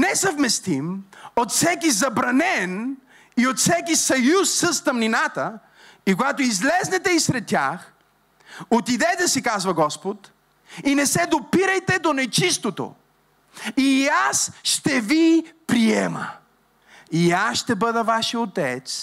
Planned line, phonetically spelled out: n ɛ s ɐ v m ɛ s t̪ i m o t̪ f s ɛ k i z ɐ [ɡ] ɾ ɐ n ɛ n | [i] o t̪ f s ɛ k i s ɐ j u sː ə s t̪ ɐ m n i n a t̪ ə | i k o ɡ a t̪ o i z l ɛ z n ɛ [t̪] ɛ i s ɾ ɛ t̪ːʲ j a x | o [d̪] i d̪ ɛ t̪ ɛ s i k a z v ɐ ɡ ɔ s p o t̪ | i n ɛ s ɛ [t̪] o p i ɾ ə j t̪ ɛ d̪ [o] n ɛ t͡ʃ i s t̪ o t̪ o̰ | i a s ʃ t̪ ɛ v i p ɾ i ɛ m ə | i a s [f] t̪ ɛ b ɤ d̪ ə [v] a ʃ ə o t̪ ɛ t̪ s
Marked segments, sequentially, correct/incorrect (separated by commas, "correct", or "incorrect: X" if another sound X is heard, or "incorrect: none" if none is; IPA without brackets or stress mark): incorrect: b, correct, correct, incorrect: t̪, incorrect: d̪, correct, incorrect: ʃ, correct